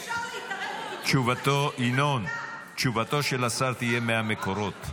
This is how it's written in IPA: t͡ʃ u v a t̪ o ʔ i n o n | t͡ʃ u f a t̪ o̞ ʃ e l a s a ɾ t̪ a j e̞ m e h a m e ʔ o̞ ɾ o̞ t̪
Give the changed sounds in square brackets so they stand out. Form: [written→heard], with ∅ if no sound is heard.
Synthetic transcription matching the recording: t͡ʃ u v a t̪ o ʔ i n o n | t͡ʃ u [f→v] a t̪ o̞ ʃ e l a s a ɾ t̪ [a→i] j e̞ m e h a m e [ʔ→k] o̞ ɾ o̞ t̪